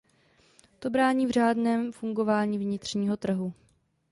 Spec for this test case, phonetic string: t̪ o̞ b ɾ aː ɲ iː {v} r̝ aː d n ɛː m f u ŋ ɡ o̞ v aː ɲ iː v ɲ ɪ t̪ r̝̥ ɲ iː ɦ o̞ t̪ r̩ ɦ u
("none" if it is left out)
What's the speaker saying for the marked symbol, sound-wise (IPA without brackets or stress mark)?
v